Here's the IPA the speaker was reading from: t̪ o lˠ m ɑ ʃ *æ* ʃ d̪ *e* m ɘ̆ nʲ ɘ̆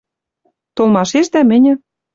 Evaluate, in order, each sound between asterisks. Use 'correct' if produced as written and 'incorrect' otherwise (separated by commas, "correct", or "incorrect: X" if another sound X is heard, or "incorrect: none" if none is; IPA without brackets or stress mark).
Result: incorrect: e, incorrect: æ